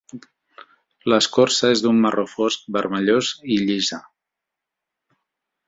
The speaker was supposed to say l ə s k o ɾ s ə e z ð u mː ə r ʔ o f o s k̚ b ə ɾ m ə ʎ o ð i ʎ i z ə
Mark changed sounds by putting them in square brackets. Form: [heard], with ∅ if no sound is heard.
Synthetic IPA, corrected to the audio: l ə s k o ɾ s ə e z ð u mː ə r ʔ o f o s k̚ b ə ɾ m ə ʎ o [z] i ʎ i z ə